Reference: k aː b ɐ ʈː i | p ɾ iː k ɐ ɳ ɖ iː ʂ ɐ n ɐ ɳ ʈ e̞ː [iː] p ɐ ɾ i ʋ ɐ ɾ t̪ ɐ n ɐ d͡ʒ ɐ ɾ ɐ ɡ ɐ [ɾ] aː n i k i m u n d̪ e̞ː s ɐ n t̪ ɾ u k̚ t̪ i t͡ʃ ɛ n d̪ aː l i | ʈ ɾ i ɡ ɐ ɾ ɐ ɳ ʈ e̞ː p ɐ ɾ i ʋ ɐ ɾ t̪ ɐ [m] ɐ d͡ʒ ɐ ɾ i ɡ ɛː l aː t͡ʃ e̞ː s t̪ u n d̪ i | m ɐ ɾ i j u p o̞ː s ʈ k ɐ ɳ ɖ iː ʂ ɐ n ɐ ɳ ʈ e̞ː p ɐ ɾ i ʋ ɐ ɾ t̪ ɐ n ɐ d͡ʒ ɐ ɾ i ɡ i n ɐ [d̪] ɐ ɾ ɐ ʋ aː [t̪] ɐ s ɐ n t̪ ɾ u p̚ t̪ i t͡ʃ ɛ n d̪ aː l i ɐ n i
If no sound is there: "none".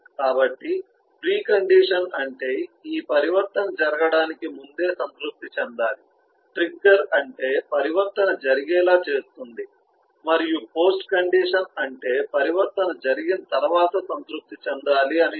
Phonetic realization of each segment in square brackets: iː, ɽ, n, t̪, t̪

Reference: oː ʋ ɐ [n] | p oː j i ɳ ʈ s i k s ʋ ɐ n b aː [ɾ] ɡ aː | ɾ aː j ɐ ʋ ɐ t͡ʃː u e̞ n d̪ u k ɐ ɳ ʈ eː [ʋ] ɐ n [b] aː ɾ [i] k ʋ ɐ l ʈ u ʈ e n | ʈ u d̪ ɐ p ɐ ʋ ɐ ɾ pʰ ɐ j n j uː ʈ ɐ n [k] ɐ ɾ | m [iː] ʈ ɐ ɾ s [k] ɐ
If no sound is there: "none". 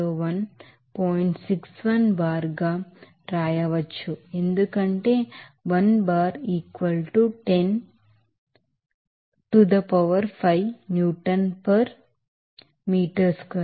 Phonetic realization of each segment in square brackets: n, ɾ, ʋ, b, iː, p, iː, k

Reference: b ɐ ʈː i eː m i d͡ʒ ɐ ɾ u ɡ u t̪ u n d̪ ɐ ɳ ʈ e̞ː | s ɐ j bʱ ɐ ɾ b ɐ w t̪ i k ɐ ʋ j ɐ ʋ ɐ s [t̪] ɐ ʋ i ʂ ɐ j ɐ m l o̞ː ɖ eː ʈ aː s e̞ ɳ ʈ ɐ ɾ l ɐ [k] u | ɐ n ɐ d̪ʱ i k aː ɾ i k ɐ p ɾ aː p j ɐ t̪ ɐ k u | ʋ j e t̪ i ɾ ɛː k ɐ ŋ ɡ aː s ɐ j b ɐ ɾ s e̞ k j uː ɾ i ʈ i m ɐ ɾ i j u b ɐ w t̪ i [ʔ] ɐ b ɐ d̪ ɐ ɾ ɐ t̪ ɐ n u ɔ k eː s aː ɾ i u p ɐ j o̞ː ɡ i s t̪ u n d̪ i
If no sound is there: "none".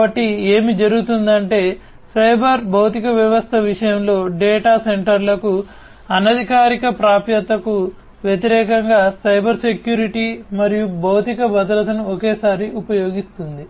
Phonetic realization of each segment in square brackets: t̪ʰ, k, k

